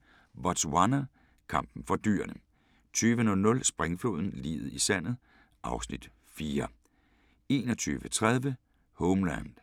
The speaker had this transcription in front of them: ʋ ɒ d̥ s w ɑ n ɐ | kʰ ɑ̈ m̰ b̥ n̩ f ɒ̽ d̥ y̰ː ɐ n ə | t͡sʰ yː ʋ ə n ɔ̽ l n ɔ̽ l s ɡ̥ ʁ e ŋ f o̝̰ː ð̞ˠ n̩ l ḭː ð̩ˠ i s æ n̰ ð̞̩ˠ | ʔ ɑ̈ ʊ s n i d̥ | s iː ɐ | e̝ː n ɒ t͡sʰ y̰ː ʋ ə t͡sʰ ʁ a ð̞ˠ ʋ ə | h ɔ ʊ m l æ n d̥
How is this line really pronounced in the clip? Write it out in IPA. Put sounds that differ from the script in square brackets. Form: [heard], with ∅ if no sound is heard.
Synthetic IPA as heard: ʋ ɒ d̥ s w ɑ n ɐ | kʰ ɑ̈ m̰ b̥ n̩ f ɒ̽ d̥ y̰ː ɐ n ə | t͡sʰ yː ʋ ə n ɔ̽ l n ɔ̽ l s [b̥] ʁ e ŋ f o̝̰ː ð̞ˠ n̩ l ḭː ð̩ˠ i s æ n̰ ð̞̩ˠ | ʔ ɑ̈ ʊ s n i d̥ | [f] iː ɐ | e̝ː n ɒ t͡sʰ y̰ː ʋ ə t͡sʰ ʁ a ð̞ˠ ʋ ə | h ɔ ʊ m l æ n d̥